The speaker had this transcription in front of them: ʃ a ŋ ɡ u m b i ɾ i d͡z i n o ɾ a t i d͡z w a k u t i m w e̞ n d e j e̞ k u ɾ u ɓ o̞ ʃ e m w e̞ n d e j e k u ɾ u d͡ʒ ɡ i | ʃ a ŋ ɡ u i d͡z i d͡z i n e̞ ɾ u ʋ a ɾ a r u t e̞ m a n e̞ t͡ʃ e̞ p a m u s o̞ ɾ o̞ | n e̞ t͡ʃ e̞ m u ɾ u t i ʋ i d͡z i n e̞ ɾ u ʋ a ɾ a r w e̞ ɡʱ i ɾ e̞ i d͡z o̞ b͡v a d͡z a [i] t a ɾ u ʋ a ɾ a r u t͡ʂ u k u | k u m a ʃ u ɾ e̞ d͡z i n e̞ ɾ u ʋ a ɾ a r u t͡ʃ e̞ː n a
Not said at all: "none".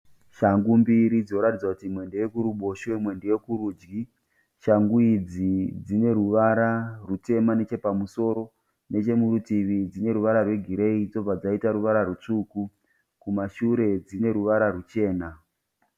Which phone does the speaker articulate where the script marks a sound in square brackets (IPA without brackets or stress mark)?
i